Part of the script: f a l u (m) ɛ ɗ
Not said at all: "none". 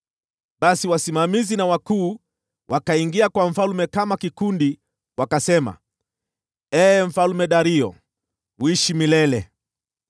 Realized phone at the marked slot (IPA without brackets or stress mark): m